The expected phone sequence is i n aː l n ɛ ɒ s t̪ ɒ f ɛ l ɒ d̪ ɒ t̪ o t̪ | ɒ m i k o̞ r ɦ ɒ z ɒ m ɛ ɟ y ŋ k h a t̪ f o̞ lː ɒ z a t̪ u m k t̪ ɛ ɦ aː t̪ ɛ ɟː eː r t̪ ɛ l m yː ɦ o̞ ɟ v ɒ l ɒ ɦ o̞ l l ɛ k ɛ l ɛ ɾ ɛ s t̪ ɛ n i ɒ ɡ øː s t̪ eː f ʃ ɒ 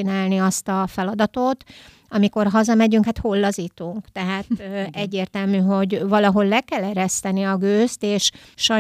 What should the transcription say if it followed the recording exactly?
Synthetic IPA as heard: i n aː l n i ɒ s t̪ ɒ f ɛ l ɒ d̪ ɒ t̪ o t̪ | ɒ m i k o̞ r ɦ ɒ z ɒ m ɛ ɟ y ŋ k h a t̪ h o̞ lː ɒ z i t̪ u ŋ k t̪ ɛ ɦ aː t̪ ɛ ɟː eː r t̪ ɛ l m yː ɦ o̞ ɟ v ɒ l ɒ ɦ o̞ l l ɛ k ɛ l ɛ ɾ ɛ s t̪ ɛ n i ɒ ɡ øː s t̪ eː ʃ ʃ ɒ